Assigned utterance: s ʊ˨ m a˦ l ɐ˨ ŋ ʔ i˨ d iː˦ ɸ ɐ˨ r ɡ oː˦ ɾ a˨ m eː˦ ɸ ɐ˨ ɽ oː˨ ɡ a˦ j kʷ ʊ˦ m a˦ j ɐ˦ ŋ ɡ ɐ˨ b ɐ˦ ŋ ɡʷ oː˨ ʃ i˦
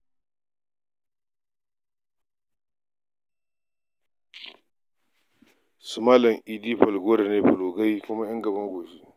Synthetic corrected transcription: s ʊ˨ m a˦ l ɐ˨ ŋ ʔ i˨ d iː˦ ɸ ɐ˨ l ɡ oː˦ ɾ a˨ n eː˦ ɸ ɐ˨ l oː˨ ɡ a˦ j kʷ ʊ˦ m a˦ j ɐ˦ ŋ ɡ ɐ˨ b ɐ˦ ŋ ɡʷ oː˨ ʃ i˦